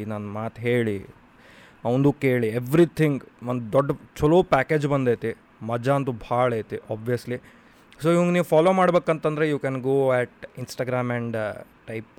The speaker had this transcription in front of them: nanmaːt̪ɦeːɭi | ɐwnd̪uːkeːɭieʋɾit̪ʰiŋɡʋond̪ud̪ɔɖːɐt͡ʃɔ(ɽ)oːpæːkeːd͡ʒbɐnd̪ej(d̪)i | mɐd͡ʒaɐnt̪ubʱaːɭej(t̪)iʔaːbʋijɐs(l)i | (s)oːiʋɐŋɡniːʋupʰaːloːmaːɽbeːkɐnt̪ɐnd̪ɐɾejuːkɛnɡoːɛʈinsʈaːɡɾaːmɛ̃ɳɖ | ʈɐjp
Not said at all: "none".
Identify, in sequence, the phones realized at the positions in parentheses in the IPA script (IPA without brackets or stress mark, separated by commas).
l, t̪, t̪, l, s